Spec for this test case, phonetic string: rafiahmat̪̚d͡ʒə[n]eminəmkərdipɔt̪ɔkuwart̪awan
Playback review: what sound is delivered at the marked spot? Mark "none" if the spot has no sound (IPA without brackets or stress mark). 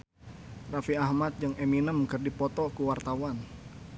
ŋ